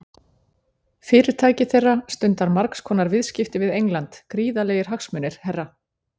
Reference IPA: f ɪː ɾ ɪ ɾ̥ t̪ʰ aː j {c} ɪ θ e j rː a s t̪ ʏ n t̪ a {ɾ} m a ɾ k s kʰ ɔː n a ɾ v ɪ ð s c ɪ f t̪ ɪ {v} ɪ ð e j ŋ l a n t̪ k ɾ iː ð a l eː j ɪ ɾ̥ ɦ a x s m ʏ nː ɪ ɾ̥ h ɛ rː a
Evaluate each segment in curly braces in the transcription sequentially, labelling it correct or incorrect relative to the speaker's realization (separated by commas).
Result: correct, correct, correct